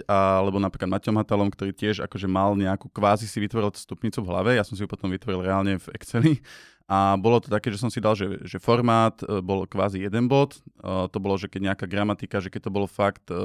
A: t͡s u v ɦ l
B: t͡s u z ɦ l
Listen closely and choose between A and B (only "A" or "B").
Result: A